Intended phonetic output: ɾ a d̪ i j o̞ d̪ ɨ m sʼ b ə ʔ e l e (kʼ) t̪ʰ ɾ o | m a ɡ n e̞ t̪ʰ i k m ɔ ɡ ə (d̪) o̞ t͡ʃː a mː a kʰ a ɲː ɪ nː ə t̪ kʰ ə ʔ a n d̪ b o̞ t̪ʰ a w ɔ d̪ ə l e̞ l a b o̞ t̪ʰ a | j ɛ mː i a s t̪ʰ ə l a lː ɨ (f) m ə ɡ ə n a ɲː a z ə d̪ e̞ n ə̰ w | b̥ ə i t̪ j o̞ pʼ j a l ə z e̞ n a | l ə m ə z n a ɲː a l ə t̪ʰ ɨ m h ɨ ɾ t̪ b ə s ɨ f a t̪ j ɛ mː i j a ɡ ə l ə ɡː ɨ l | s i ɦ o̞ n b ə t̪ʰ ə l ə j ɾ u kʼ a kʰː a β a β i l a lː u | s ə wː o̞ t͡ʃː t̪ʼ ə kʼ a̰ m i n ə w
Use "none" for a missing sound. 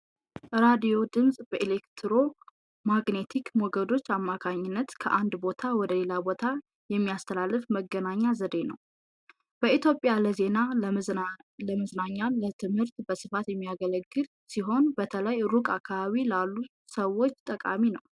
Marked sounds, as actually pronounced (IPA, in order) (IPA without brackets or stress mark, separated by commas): k, d̪, f